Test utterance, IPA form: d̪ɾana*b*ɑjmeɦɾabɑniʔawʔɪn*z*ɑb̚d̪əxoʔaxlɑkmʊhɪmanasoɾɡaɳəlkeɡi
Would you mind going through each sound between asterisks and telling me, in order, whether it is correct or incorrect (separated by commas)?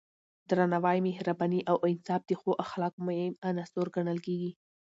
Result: incorrect, incorrect